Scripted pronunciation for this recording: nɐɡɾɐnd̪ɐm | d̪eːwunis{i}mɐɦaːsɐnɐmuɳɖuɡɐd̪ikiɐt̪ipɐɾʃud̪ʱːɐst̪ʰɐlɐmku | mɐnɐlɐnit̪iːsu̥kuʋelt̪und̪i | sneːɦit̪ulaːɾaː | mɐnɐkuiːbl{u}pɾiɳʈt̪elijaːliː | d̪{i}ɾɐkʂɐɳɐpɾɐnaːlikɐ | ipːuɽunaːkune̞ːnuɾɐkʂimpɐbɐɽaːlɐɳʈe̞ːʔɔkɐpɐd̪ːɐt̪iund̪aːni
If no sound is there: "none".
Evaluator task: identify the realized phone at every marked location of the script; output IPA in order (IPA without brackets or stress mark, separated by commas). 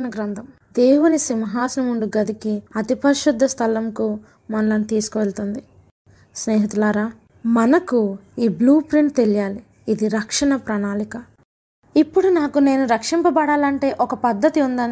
i, uː, i